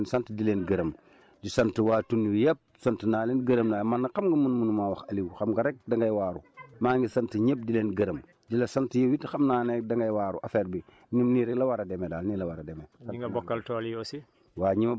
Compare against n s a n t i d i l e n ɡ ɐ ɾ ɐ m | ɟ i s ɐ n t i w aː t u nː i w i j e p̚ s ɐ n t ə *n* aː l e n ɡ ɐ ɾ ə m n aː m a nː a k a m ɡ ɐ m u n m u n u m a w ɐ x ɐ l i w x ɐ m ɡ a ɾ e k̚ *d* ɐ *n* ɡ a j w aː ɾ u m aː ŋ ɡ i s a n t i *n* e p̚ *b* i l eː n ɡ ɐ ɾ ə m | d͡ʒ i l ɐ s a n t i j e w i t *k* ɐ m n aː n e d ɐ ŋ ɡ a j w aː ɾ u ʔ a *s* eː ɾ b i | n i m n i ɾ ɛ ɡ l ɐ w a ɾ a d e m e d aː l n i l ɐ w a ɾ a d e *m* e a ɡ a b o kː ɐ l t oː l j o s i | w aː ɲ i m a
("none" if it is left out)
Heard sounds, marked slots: n, d, ŋ, ɲ, d, x, f, m

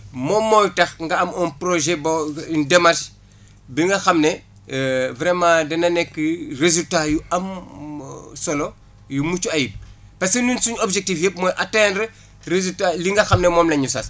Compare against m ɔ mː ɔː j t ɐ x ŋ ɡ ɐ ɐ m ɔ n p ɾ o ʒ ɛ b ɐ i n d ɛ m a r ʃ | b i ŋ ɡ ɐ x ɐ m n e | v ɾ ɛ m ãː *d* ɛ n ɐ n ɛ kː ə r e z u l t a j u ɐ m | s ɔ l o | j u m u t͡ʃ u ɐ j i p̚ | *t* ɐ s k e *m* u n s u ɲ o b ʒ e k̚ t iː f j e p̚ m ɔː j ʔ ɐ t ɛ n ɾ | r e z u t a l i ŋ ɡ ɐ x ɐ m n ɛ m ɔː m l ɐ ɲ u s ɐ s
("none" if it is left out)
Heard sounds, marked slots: d, p, n

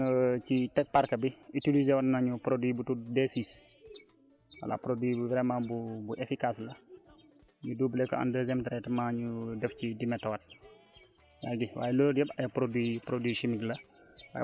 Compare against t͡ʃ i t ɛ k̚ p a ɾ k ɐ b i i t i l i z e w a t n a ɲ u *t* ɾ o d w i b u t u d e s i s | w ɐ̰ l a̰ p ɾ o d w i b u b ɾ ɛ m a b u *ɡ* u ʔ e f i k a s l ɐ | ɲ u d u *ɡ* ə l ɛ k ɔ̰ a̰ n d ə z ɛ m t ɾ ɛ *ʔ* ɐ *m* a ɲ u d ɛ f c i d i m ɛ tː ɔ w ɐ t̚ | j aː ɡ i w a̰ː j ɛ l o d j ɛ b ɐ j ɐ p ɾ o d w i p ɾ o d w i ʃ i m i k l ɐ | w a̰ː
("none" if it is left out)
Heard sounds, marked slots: p, b, b, t, m

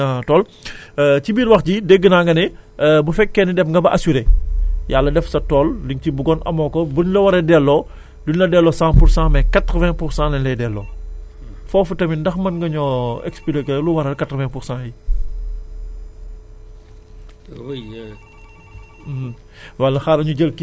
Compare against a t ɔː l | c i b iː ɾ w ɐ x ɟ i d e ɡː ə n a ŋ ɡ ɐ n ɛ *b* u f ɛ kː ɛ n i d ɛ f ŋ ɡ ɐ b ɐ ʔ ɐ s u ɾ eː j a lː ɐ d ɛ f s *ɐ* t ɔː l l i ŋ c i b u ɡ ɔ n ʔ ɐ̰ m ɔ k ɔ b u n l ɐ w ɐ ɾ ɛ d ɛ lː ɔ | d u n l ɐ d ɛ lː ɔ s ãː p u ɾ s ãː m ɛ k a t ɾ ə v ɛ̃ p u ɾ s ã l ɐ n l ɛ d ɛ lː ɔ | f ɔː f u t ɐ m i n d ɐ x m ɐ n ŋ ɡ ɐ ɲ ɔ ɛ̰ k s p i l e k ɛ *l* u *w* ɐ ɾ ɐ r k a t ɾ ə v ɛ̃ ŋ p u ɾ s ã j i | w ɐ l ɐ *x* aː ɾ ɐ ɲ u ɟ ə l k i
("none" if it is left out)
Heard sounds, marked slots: b, ɐ, l, w, x

